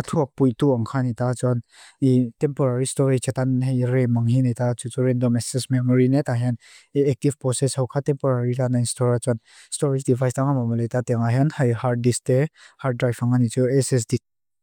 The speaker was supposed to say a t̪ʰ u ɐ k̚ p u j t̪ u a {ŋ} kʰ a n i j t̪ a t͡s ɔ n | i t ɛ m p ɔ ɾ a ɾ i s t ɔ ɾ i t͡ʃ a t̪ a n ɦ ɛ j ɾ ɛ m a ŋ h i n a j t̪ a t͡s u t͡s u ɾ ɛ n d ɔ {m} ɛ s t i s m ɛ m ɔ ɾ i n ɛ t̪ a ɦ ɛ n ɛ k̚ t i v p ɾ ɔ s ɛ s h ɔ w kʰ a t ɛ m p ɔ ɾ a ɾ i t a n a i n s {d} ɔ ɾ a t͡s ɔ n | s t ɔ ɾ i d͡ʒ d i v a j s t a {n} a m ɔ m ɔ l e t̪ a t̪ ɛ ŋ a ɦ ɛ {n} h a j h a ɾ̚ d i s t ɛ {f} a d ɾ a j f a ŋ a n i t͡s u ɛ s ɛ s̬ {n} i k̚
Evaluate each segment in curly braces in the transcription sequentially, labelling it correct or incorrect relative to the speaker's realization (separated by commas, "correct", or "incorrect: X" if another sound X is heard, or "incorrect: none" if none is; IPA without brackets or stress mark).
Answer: correct, correct, incorrect: t, incorrect: ŋ, correct, incorrect: h, incorrect: d